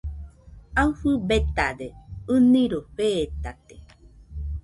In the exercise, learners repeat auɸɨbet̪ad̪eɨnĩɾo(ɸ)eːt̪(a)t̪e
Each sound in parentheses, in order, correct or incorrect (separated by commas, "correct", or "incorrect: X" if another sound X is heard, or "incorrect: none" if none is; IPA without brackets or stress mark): correct, correct